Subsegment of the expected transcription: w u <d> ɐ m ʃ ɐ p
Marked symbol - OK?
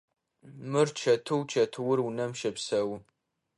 no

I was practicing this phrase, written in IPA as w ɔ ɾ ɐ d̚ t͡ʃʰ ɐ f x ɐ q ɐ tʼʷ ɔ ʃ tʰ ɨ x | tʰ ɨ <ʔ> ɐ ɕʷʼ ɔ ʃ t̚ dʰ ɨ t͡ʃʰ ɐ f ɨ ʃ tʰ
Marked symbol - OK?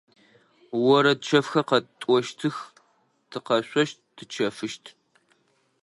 no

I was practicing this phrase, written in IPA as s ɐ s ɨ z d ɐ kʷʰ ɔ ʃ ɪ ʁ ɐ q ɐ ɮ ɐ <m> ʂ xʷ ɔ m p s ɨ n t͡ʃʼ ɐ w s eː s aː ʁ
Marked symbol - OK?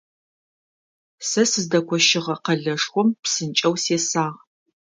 no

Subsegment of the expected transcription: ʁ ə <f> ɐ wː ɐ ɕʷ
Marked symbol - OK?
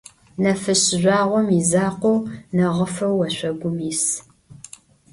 yes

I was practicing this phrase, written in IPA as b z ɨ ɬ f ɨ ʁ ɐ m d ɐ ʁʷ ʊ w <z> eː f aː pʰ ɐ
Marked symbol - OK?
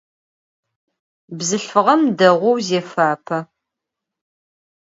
yes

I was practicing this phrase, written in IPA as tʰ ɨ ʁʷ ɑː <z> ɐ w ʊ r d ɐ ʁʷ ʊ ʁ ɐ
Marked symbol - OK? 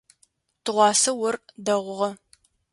no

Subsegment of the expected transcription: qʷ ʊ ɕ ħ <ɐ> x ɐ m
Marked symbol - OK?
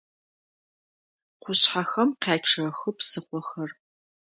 no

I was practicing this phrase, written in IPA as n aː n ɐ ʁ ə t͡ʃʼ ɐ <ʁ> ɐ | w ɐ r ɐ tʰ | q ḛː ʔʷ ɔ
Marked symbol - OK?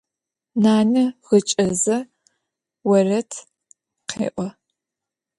no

